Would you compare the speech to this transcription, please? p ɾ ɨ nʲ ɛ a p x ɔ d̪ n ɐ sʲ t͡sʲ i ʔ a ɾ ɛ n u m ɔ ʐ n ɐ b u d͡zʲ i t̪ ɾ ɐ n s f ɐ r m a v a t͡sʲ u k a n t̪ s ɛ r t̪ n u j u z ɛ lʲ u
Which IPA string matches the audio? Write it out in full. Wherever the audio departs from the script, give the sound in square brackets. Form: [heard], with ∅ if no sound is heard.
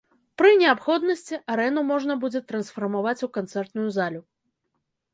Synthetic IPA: p ɾ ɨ nʲ ɛ a p x ɔ d̪ n ɐ sʲ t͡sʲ i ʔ a ɾ ɛ n u m ɔ ʐ n ɐ b u d͡zʲ [ɛ] t̪ ɾ ɐ n s f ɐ r m a v a t͡sʲ u k a n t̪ s ɛ r t̪ n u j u z [a] lʲ u

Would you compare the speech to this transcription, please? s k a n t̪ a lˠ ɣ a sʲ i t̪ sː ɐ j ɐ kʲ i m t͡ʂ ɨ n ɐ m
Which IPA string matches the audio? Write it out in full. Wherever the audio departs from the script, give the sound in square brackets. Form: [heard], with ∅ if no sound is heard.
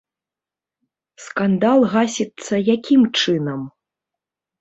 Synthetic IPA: s k a n [d̪] a lˠ ɣ a sʲ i t̪ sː ɐ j [a] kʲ i m t͡ʂ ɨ n ɐ m

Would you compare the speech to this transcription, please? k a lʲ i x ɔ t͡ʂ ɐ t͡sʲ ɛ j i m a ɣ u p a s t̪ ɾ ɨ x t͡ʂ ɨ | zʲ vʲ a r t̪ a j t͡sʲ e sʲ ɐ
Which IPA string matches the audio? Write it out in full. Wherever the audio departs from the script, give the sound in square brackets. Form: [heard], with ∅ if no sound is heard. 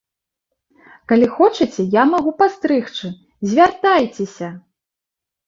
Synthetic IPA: k a lʲ i x ɔ t͡ʂ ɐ t͡sʲ ɛ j [a] m a ɣ u p a s t̪ ɾ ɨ x t͡ʂ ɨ | zʲ vʲ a r t̪ a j t͡sʲ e sʲ ɐ

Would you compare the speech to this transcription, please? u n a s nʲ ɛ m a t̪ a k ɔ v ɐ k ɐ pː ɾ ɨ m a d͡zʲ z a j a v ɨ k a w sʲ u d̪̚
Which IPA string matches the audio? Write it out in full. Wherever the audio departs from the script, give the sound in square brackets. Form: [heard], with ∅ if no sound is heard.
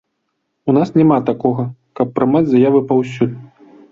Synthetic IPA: u n a s nʲ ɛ m a t̪ a k ɔ [ɣ] ɐ k ɐ pː ɾ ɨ m a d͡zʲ z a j a v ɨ [p] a w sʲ u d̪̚

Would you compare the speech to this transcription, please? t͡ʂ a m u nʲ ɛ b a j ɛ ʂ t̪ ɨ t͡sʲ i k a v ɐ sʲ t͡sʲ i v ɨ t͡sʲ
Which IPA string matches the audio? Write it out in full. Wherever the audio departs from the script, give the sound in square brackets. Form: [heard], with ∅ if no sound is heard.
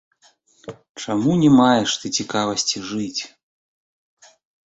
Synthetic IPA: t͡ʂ a m u nʲ ɛ [m] a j ɛ ʂ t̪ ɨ t͡sʲ i k a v ɐ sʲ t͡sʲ i [ʐ] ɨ t͡sʲ

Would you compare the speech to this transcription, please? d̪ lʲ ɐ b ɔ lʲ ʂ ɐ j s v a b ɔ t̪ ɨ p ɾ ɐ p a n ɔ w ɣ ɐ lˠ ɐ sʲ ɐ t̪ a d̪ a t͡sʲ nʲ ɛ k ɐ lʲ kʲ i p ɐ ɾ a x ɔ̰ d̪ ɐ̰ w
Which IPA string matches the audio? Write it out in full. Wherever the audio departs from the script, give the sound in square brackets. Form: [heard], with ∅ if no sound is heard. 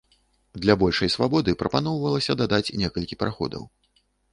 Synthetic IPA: d̪ lʲ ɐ b ɔ lʲ ʂ ɐ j s v a b ɔ [d̪] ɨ p ɾ ɐ p a n ɔ w [v] ɐ lˠ ɐ sʲ ɐ [d̪] a d̪ a t͡sʲ nʲ ɛ k ɐ lʲ kʲ i p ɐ ɾ a x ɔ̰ d̪ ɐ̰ w

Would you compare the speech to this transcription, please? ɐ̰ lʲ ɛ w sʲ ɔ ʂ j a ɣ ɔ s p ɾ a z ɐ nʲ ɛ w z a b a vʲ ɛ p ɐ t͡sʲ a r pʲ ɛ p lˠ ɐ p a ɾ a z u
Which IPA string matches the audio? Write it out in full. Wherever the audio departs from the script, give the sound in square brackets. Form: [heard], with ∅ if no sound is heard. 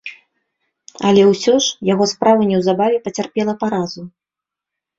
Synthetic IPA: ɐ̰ lʲ ɛ w sʲ ɔ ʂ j a ɣ ɔ s p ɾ a [v] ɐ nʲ ɛ w z a b a vʲ ɛ p ɐ t͡sʲ a r pʲ ɛ [∅] lˠ ɐ p a ɾ a z u

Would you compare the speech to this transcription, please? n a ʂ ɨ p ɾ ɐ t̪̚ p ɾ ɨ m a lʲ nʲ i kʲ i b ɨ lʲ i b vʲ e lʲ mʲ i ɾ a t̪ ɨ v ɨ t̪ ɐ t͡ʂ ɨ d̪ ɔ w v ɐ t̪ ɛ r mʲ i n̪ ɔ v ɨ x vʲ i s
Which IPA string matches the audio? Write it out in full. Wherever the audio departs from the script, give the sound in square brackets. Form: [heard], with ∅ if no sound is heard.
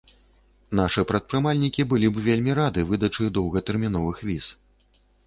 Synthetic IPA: n a ʂ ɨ p ɾ ɐ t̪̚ p ɾ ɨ m a lʲ nʲ i kʲ i b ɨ lʲ i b vʲ e lʲ mʲ i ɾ a [d̪] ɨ v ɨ [d̪] ɐ t͡ʂ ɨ d̪ ɔ w [ɣ] ɐ t̪ ɛ r mʲ i n̪ ɔ v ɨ x vʲ i s

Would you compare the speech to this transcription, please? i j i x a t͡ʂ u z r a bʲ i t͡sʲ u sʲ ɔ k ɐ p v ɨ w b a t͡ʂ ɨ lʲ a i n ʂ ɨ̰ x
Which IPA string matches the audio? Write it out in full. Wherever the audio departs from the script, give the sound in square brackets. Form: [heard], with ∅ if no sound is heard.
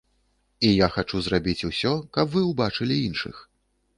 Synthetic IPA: i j [a] x a t͡ʂ u z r a bʲ i t͡sʲ u sʲ ɔ k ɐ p v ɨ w b a t͡ʂ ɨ lʲ [i] i n ʂ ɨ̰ x

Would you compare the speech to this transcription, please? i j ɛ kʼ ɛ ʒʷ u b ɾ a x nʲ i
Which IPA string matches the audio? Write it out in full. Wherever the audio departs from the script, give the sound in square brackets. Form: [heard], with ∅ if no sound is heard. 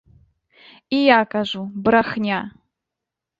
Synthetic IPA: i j [a] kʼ [a] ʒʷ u b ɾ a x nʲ [a]

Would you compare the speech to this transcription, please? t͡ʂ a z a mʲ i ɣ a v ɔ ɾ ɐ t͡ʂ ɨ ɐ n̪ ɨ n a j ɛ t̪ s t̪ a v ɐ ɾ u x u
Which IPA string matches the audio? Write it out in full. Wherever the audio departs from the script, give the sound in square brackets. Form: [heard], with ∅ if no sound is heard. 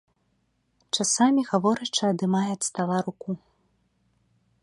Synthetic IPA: t͡ʂ a [s] a mʲ i ɣ a v ɔ ɾ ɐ t͡ʂ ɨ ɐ [d̪] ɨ [m] a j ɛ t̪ s t̪ a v [a] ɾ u [k] u

